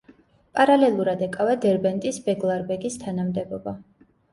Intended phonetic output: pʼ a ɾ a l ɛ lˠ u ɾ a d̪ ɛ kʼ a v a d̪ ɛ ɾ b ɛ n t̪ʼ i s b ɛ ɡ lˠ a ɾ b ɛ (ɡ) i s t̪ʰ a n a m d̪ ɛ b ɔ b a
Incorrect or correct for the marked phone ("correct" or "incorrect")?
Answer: correct